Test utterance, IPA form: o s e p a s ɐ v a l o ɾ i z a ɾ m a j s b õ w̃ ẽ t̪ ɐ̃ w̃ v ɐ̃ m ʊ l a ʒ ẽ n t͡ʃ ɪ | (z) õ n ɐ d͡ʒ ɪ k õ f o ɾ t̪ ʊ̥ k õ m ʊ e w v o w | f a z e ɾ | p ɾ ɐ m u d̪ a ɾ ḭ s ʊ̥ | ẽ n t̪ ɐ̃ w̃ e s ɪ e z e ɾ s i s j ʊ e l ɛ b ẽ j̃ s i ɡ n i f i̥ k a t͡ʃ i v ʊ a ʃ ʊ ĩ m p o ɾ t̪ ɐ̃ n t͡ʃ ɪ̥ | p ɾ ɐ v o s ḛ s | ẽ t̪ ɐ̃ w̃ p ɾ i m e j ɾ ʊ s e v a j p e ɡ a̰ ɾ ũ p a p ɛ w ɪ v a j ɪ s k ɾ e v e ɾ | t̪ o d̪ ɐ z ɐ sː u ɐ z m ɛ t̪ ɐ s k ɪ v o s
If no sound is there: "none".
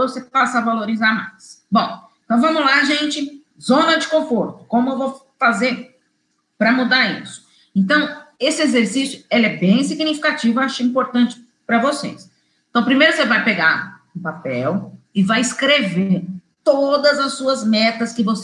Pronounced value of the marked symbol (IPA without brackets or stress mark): z